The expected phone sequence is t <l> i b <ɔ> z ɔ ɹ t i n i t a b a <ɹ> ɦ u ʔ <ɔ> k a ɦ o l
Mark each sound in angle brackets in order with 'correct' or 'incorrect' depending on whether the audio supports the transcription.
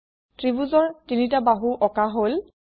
incorrect: ɹ, incorrect: u, incorrect: none, correct

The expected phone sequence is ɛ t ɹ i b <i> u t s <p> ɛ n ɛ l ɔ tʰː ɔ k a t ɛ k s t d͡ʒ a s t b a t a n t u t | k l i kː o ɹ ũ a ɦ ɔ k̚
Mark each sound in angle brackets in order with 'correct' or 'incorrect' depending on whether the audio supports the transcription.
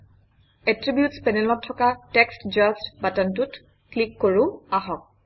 incorrect: j, correct

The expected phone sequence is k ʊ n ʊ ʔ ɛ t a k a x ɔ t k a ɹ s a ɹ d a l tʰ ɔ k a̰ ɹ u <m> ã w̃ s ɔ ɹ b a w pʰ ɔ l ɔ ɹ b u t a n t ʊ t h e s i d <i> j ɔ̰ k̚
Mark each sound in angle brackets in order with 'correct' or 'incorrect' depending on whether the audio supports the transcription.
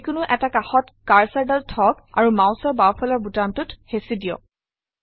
correct, correct

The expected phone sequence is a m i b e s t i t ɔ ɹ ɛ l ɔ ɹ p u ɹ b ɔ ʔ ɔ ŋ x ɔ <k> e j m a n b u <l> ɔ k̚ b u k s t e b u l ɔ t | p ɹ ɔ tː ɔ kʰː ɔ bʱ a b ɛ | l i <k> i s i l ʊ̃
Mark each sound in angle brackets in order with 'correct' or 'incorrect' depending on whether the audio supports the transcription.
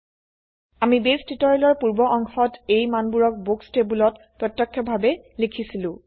incorrect: t, incorrect: ɹ, incorrect: kʰ

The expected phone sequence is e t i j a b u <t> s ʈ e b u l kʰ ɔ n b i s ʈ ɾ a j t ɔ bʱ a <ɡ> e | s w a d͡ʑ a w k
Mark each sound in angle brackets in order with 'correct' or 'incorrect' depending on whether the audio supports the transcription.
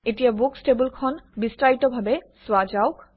incorrect: k, incorrect: b

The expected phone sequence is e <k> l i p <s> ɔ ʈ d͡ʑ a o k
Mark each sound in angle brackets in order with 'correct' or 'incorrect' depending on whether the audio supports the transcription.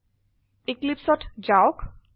correct, correct

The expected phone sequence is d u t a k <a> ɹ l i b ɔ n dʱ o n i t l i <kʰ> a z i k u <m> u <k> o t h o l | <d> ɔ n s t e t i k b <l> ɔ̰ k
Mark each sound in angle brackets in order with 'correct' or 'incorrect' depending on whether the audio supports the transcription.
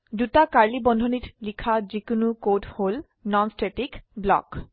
correct, correct, incorrect: n, correct, incorrect: n, correct

